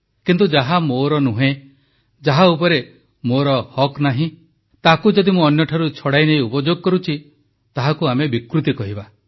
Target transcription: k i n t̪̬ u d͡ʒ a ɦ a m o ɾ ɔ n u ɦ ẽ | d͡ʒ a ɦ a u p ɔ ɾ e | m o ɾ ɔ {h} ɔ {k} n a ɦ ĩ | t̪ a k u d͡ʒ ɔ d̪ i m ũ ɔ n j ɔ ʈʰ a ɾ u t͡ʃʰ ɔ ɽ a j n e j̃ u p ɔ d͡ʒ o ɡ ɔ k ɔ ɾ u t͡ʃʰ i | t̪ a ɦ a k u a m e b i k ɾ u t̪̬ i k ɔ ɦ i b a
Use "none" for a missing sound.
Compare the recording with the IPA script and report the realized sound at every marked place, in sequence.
h, k

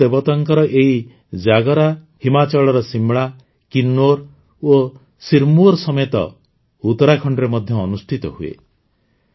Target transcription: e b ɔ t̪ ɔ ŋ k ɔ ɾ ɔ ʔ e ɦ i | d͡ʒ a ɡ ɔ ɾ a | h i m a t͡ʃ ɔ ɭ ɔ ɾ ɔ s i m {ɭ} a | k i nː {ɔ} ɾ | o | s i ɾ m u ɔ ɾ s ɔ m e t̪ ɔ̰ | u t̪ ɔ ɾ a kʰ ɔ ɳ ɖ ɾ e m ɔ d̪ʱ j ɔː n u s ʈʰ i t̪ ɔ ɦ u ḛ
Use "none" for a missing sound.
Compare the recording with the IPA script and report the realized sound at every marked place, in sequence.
ɭ, o

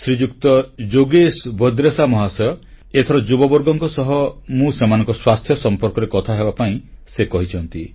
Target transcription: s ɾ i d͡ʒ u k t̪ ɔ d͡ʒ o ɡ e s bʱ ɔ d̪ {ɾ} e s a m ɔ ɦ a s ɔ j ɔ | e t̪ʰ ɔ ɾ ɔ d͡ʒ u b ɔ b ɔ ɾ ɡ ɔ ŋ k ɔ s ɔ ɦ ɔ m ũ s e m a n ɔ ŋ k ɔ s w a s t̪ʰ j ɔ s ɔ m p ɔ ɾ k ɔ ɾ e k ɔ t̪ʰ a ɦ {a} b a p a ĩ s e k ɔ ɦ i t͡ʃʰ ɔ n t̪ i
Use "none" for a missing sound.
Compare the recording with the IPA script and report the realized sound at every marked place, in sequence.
ɾ, e

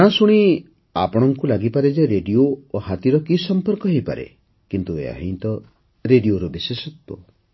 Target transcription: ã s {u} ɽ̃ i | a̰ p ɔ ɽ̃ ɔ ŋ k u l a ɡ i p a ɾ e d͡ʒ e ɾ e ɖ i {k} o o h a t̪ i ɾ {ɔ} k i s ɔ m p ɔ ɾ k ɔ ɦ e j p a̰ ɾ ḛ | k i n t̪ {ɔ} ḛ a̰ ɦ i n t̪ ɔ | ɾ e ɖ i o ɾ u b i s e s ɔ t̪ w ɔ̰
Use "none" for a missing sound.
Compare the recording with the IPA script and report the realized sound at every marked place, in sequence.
u, none, ɔ, u

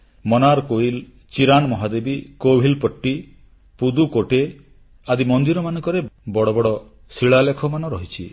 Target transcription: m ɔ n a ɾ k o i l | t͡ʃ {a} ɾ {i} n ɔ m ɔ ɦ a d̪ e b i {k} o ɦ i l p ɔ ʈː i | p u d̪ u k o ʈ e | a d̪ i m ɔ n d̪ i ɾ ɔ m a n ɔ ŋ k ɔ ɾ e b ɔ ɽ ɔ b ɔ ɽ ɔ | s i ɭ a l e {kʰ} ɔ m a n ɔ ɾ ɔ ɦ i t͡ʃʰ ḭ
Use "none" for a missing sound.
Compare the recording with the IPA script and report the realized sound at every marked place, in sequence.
i, a, k, kʰ

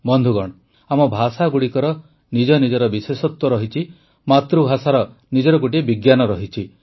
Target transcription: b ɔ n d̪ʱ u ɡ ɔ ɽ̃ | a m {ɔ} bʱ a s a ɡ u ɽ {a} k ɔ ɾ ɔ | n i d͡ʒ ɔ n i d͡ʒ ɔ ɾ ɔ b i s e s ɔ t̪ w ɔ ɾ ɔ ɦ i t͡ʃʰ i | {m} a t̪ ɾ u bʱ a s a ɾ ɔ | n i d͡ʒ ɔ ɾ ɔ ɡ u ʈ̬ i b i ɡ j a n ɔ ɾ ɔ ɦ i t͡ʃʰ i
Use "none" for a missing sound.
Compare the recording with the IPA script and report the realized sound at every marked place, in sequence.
ɔ, i, m

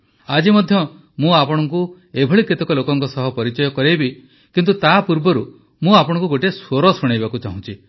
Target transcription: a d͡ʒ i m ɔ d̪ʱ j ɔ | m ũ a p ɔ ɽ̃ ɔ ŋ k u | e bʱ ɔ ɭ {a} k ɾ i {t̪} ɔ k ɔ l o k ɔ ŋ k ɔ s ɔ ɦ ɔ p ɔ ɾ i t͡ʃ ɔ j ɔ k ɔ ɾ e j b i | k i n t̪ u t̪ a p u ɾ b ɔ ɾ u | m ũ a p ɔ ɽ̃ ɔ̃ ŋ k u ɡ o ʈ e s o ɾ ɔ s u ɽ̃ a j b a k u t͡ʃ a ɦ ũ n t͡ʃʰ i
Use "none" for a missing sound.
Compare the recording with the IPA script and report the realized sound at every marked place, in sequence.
i, t̪

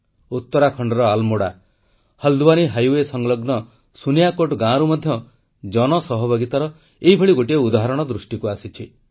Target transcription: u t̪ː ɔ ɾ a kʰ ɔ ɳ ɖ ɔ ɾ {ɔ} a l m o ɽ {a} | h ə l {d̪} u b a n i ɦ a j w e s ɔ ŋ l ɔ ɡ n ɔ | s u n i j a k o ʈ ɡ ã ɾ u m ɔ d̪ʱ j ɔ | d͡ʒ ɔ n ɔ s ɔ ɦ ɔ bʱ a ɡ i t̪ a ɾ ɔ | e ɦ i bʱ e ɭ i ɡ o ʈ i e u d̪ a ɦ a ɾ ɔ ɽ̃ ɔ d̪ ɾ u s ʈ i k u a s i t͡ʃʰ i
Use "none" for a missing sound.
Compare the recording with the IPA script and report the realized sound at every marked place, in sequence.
ɔ, a, d̪

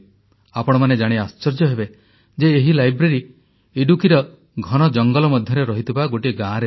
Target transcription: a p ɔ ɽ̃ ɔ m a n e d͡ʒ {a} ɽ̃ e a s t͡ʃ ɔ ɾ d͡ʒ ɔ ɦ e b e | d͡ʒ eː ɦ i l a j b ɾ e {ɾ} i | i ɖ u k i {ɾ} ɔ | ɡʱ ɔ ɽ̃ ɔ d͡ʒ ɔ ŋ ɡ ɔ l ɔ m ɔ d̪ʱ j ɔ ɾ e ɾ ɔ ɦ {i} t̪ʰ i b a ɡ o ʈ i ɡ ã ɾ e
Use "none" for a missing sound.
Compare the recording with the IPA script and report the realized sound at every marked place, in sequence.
a, ɾ, ɾ, i

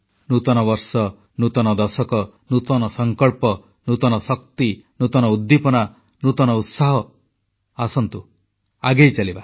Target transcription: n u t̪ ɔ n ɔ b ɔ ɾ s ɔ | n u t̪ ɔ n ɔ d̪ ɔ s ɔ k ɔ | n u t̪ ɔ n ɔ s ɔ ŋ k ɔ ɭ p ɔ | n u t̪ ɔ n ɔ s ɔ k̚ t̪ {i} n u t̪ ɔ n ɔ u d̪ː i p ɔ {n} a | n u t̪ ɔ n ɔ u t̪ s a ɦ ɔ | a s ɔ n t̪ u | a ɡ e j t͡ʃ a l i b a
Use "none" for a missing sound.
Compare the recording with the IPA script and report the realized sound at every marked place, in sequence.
i, n

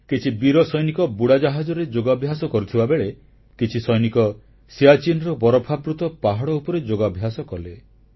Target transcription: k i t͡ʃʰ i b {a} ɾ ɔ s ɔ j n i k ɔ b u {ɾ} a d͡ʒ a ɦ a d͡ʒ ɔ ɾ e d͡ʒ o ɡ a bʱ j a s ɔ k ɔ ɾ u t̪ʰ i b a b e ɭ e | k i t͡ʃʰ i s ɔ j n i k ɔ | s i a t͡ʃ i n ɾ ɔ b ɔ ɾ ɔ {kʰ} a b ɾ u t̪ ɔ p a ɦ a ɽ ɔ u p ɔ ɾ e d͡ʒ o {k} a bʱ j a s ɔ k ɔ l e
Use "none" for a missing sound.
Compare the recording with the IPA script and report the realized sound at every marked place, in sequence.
i, ɽ, pʰ, ɡ

